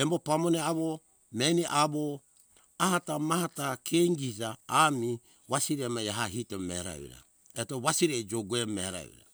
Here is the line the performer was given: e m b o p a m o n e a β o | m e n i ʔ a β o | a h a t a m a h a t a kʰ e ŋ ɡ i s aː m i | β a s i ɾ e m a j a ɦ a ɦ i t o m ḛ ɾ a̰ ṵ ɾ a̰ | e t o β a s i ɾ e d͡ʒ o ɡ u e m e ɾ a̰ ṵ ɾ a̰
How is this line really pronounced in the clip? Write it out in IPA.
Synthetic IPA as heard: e m b o p a m o n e a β o | m e n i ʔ a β o | a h a t a m a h a t a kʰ e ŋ ɡ i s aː m i | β a s i ɾ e m a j a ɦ a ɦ i t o m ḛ ɾ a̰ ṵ ɾ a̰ | e t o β a s i ɾ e d͡ʒ o ɡ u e m e ɾ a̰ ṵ ɾ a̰